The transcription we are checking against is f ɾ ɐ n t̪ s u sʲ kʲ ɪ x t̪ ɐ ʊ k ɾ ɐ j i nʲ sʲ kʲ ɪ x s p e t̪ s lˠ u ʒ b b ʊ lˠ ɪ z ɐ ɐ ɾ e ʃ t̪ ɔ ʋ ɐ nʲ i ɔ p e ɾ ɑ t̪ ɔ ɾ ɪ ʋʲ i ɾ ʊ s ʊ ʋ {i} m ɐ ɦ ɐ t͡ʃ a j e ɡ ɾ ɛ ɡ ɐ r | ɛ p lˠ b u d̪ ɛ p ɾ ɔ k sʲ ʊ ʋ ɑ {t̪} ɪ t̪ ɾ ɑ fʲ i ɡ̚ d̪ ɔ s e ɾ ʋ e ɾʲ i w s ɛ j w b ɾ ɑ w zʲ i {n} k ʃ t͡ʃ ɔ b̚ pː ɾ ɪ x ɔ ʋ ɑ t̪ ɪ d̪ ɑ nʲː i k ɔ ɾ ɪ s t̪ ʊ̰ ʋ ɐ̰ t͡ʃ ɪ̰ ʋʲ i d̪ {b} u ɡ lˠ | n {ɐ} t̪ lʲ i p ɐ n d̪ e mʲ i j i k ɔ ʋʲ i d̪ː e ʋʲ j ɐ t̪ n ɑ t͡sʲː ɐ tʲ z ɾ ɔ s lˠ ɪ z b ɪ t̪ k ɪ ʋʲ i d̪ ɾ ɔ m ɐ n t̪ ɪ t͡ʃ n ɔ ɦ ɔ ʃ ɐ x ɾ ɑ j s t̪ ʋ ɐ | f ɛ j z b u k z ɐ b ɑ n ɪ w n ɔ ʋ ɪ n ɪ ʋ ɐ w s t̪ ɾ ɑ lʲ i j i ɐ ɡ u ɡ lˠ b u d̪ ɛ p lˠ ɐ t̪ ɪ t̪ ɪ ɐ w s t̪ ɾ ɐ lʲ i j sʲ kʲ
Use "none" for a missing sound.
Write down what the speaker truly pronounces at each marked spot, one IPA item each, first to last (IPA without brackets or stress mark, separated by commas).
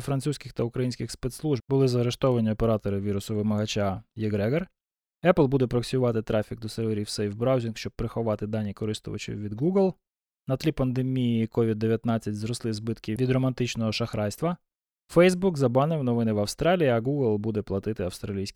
ɪ, t̪, n, ɡ, ɐ